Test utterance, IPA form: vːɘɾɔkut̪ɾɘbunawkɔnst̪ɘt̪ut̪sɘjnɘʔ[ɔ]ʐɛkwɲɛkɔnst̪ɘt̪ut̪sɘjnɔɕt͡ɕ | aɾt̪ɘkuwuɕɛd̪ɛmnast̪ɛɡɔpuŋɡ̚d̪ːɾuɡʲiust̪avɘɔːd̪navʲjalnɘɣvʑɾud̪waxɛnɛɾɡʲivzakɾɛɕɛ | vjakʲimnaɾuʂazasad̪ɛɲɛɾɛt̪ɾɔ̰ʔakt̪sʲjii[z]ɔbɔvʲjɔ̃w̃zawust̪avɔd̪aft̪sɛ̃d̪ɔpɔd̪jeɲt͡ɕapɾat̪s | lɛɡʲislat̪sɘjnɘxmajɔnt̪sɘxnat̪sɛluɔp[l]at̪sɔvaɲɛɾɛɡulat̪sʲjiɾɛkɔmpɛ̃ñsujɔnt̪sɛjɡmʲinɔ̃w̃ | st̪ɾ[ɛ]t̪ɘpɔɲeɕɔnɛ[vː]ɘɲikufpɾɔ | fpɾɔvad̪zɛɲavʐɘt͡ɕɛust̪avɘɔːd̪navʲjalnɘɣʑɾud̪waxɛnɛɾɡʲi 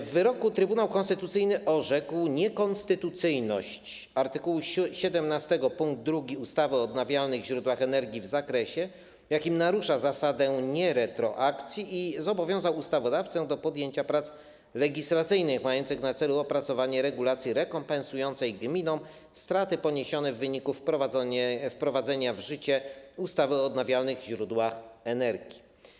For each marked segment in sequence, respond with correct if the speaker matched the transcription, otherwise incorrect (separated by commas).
correct, correct, incorrect, incorrect, correct